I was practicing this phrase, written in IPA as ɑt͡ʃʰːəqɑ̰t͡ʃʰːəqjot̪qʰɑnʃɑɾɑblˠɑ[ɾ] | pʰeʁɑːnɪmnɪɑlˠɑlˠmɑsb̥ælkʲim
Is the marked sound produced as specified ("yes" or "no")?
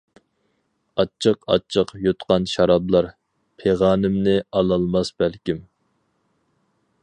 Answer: yes